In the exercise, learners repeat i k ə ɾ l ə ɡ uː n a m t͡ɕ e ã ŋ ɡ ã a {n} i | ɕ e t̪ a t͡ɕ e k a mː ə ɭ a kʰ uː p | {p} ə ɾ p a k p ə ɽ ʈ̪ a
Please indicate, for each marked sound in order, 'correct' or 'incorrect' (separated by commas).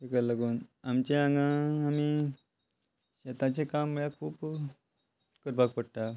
incorrect, incorrect